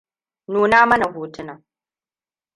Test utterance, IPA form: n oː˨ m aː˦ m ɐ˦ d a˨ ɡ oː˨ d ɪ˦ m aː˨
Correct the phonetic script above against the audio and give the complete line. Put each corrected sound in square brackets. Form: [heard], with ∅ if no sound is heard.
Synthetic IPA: n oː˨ [n] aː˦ m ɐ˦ [n] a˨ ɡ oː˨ [t] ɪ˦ [n] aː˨